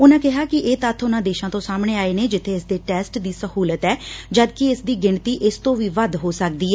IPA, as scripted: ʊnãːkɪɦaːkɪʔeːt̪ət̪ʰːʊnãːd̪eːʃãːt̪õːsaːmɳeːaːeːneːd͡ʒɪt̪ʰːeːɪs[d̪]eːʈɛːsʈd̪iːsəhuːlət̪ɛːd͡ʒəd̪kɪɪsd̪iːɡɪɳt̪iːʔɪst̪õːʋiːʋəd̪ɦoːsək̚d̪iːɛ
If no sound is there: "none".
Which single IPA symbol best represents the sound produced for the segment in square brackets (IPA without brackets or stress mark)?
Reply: d̪